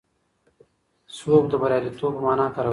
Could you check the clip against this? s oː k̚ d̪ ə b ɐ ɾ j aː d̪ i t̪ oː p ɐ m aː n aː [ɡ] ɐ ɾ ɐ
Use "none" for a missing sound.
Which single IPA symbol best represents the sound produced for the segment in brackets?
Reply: k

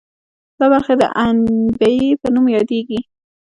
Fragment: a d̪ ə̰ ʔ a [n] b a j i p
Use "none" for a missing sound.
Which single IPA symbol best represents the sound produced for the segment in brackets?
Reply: n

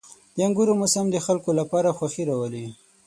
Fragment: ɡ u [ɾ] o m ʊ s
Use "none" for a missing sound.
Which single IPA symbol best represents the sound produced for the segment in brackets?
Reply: ɾ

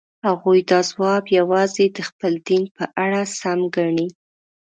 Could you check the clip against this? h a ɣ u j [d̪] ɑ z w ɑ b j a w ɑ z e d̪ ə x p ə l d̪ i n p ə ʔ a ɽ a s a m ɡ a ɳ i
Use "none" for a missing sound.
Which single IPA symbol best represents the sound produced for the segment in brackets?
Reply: d̪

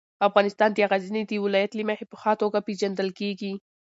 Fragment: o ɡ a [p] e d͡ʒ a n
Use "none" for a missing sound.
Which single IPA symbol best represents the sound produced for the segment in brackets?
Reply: p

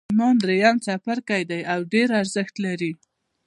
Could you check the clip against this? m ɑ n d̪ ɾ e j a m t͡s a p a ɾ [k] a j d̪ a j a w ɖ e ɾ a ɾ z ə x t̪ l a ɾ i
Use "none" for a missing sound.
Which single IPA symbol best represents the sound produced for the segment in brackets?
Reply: k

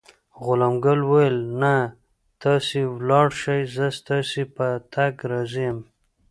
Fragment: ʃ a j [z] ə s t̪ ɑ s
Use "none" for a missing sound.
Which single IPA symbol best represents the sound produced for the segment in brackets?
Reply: z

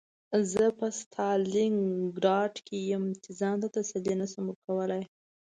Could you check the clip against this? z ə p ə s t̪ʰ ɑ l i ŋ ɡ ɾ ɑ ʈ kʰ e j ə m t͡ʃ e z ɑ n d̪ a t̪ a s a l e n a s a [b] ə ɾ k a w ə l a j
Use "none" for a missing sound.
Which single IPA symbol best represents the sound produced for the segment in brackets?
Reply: m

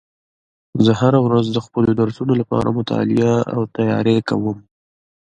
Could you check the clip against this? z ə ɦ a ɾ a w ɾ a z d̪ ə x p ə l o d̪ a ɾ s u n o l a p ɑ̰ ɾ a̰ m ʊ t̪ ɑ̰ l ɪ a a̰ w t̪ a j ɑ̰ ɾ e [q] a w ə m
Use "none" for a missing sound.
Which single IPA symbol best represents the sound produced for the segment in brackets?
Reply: k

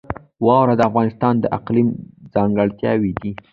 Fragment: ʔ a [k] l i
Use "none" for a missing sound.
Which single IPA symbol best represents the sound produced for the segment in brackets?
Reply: q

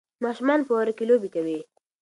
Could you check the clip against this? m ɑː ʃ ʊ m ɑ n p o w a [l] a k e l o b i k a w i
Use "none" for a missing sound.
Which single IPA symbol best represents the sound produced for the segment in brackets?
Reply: ɾ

